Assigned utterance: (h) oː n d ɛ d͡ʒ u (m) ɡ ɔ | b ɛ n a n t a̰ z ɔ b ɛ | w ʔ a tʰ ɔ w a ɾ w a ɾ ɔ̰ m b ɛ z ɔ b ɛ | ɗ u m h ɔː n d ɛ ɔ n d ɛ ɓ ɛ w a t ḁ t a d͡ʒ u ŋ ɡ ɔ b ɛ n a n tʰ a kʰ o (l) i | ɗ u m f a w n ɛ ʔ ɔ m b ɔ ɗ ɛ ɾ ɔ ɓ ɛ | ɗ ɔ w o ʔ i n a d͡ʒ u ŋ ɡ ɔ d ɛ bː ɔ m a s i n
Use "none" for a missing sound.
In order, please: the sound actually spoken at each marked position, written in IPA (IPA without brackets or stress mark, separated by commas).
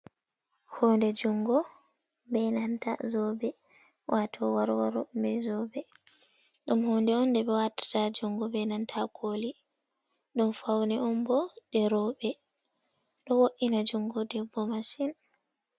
h, ŋ, l